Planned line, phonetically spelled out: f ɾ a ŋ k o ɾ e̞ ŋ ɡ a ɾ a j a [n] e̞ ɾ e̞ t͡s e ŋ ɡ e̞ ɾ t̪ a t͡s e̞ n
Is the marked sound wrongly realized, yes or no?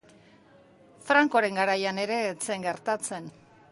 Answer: no